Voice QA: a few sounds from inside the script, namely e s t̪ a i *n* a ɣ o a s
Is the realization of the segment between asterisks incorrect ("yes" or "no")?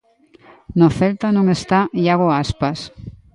yes